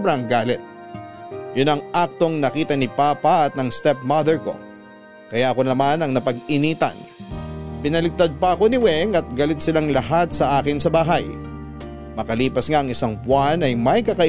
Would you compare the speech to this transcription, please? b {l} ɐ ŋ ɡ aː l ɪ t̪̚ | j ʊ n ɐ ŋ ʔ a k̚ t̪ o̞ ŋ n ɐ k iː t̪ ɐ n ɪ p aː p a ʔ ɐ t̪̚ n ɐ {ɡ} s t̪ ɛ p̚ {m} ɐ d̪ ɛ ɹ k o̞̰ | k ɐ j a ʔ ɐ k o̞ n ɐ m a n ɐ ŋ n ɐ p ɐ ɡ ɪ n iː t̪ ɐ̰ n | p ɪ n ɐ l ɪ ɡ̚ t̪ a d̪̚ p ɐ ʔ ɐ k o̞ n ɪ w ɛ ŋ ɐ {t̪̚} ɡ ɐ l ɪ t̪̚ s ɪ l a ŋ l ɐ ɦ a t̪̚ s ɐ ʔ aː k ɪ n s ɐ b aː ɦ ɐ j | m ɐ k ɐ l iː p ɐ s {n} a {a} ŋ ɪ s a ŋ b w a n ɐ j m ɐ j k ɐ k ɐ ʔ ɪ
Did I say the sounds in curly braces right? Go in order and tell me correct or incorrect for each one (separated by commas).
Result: incorrect, incorrect, correct, correct, incorrect, incorrect